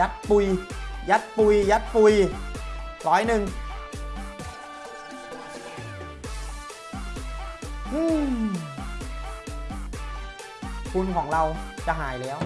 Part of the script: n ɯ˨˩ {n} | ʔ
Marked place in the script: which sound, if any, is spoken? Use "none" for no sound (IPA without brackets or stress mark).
ŋ